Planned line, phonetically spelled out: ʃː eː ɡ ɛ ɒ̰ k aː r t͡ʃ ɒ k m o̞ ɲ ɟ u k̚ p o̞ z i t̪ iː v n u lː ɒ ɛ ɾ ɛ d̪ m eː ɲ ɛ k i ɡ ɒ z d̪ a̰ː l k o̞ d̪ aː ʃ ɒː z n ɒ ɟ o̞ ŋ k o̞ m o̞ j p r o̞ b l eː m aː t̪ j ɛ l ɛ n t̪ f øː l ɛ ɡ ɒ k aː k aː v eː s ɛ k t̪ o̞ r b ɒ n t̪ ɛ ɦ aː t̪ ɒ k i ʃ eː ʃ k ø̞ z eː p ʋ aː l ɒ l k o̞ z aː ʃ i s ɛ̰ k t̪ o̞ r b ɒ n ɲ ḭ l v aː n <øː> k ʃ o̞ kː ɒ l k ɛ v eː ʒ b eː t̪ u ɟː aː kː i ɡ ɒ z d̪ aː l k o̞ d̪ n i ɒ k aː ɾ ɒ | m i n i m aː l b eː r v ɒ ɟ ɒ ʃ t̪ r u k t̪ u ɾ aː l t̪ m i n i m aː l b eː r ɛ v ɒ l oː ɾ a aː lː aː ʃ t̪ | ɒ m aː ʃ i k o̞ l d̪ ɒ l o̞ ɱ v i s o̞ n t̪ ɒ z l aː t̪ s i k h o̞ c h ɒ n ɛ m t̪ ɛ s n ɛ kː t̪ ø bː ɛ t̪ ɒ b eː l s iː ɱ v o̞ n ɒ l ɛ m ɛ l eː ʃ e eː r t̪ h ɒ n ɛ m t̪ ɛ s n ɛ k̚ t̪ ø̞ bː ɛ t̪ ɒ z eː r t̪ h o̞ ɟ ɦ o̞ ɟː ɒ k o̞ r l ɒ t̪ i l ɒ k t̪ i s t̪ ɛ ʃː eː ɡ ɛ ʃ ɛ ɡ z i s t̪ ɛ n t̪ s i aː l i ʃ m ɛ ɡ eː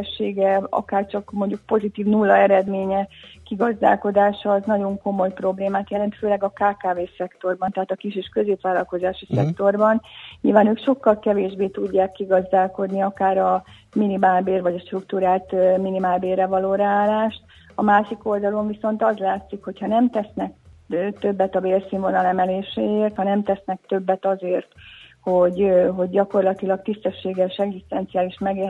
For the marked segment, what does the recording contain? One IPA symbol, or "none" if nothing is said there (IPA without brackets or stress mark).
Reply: øː